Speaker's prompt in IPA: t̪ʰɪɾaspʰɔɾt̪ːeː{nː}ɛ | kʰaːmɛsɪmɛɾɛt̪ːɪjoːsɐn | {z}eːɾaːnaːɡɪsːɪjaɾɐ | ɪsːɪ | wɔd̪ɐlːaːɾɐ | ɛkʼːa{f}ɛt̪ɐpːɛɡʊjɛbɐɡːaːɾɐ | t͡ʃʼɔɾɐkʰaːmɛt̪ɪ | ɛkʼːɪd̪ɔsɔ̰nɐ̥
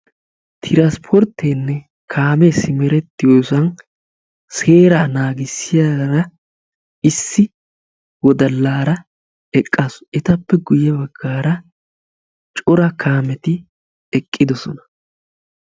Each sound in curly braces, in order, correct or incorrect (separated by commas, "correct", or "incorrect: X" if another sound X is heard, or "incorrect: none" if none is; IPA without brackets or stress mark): correct, incorrect: s, incorrect: s